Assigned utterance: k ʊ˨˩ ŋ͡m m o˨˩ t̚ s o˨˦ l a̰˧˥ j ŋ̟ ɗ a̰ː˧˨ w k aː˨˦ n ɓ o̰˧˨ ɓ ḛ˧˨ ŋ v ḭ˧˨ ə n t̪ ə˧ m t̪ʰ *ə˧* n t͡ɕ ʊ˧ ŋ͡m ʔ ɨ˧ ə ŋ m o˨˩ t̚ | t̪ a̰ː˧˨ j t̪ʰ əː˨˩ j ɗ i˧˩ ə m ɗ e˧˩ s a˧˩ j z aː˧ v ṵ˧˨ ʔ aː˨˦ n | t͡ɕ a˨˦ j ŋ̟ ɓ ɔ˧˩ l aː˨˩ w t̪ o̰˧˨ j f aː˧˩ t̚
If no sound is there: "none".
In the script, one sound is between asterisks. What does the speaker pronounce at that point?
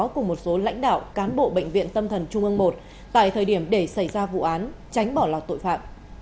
ə˨˩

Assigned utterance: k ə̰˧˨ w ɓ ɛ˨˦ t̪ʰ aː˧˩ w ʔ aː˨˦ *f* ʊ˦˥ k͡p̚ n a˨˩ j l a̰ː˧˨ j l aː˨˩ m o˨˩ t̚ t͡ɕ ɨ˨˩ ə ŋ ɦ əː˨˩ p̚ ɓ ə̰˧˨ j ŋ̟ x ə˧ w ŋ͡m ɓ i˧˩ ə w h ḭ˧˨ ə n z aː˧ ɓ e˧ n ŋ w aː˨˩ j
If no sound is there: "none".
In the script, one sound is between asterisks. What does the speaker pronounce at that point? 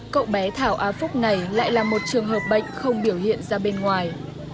f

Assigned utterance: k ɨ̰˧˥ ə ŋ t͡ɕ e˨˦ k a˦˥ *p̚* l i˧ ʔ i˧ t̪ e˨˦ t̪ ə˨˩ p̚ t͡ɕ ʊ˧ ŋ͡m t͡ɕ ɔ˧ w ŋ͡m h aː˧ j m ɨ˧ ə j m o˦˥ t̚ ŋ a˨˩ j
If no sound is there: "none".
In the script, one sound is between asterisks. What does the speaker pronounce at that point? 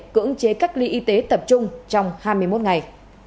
k̚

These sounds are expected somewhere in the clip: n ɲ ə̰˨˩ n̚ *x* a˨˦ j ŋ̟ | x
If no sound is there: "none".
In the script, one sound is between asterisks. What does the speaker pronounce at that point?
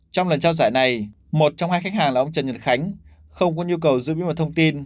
x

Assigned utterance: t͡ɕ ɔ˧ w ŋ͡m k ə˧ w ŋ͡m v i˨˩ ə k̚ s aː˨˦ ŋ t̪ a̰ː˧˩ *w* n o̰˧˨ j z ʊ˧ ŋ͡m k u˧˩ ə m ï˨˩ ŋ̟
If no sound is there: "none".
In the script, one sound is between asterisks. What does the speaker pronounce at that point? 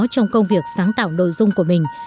w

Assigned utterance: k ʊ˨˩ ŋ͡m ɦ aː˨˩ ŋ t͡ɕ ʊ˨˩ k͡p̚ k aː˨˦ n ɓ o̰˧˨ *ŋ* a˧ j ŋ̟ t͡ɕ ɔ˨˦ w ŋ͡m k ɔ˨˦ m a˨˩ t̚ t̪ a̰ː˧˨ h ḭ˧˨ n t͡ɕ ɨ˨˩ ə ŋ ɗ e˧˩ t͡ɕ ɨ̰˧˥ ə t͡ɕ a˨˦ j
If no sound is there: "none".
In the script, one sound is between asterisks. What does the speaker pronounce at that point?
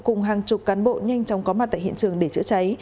ɲ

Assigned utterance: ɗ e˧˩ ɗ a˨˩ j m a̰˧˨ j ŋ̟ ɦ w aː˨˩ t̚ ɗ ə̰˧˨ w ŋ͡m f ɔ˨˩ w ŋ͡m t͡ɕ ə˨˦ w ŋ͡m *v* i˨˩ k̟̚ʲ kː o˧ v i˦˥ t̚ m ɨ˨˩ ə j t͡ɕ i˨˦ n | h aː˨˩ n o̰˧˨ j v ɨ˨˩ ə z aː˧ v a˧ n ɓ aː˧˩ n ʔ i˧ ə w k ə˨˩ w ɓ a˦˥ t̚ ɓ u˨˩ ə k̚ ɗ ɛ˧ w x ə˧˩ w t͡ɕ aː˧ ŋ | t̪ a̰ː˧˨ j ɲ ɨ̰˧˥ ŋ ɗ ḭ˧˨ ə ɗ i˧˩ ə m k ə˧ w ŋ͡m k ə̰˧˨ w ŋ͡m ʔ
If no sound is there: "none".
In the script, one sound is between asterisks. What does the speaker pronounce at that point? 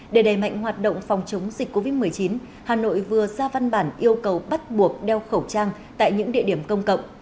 z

